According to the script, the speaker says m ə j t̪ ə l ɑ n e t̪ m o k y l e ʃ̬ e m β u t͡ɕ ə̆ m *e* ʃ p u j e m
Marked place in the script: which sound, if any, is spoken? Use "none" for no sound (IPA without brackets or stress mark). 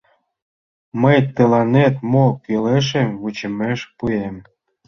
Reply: e